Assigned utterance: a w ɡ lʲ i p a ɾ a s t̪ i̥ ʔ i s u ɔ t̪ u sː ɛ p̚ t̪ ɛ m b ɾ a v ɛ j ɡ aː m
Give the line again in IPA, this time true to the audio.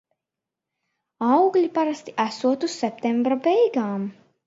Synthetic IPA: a w ɡ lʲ i p a ɾ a s t̪ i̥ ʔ æ s u ɔ t̪ u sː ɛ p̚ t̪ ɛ m b ɾ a b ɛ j ɡ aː m

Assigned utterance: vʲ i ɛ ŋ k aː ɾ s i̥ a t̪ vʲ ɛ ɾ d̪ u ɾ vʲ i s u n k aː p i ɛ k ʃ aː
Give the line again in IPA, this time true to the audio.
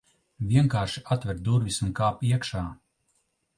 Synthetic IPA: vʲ i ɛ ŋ k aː ɾ ʃ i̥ a t̪ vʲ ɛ ɾ d̪ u ɾ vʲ i s u n k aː p i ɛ k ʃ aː

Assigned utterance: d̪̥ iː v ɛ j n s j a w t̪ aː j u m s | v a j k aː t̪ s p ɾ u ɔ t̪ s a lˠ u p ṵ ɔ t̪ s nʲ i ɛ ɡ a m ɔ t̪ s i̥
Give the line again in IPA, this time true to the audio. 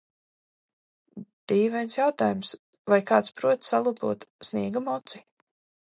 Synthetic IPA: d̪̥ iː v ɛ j n s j a w t̪ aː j u m s | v a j k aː t̪ s p ɾ u ɔ t̪ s a lˠ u p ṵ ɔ t̪ s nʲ i ɛ ɡ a m ɔ t̪ s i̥

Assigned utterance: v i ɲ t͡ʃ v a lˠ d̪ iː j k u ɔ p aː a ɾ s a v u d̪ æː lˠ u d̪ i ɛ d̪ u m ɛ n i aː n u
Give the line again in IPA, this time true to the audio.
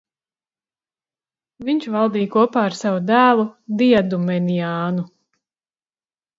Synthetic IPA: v i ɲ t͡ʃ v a lˠ d̪ iː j k u ɔ p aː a ɾ s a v u d̪ æː lˠ u d̪ i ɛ d̪ u m ɛ n i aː n u

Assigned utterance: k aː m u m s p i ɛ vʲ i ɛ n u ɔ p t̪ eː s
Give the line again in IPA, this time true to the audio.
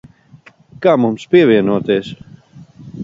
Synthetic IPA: k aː m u m s p i ɛ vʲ i ɛ n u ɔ t̪ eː s

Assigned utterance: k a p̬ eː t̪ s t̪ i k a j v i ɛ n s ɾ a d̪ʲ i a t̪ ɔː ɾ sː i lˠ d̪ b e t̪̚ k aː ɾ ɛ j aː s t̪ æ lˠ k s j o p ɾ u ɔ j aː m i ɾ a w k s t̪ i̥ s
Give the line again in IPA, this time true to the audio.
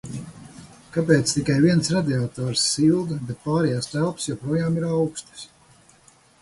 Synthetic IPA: k a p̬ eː t̪ s t̪ i k a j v i ɛ n s ɾ a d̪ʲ i a t̪ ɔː ɾ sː i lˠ d̪ b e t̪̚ p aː ɾ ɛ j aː s t̪ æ lˠ p s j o p ɾ u ɔ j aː m i ɾ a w k s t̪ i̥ s

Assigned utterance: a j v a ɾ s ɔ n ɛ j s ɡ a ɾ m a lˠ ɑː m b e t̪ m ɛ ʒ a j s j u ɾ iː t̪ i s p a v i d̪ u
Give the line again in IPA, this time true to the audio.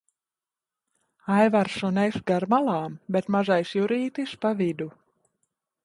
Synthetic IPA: a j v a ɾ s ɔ n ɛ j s ɡ a ɾ m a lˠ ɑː m b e t̪ m a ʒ a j s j u ɾ iː t̪ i s p a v i d̪ u

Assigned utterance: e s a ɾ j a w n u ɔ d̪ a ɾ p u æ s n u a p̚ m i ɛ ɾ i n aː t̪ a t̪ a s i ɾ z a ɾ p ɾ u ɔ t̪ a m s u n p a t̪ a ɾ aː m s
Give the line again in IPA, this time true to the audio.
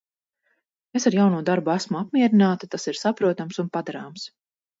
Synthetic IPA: e s a ɾ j a w n u ɔ d̪ a ɾ b u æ s m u a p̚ m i ɛ ɾ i n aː t̪ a t̪ a s i ɾ s a p ɾ u ɔ t̪ a m s u n p a d̪ a ɾ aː m s

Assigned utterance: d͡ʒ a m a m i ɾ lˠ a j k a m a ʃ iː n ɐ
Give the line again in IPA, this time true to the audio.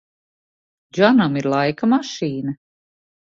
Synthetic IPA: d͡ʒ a n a m i ɾ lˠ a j k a m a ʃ iː n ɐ

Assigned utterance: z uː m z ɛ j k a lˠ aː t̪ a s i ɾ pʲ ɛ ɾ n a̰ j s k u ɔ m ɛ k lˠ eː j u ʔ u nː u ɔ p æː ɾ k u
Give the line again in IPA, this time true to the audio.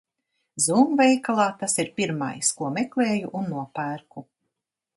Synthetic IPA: z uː m v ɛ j k a lˠ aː t̪ a s i ɾ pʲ i ɾ m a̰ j s k u ɔ m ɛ k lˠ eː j u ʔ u nː u ɔ p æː ɾ k u

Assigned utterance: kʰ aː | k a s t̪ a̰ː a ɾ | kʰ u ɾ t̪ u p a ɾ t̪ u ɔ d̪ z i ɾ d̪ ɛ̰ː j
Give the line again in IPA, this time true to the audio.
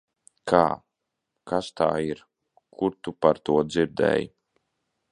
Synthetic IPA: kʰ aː | k a s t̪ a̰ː i ɾ | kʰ u ɾ t̪ u p a ɾ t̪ u ɔ d̪ z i ɾ d̪ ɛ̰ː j

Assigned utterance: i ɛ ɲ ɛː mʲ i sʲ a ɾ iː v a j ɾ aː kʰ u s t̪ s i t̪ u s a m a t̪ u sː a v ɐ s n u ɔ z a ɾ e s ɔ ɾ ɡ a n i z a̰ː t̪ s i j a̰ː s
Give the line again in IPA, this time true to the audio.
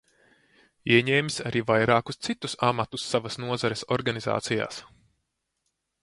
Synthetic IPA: i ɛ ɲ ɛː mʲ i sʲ a ɾ iː v a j ɾ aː k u s t̪ s i t̪ u s a m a t̪ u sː a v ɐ s n u ɔ z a ɾ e s ɔ ɾ ɡ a n i z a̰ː t̪ s i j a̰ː s

